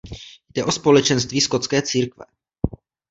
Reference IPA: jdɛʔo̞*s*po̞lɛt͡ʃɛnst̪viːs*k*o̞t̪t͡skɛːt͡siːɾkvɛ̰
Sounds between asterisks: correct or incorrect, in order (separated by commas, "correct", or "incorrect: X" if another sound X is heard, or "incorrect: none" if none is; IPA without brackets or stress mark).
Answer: correct, correct